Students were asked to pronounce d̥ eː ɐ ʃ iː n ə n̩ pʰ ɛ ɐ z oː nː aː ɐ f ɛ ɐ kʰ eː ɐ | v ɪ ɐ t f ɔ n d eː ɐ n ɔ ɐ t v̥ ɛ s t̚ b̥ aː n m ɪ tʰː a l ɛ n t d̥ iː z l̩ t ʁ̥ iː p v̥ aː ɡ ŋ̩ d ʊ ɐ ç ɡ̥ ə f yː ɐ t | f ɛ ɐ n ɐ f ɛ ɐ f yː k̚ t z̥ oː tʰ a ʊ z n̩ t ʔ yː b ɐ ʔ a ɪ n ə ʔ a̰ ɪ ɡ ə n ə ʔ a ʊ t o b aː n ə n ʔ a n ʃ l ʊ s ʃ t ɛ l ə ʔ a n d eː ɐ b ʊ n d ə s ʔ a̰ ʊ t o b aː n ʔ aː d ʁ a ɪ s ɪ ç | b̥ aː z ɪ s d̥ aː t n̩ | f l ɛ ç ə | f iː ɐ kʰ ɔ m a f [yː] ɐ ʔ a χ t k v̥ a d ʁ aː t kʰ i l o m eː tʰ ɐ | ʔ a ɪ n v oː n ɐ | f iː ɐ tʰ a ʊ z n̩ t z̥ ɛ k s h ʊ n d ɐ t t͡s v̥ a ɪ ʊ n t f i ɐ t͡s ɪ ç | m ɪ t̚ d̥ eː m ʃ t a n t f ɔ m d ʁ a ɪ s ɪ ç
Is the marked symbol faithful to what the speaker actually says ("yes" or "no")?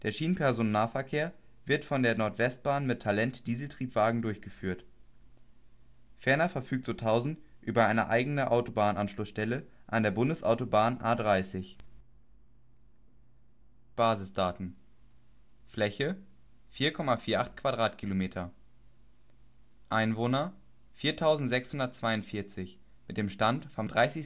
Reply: no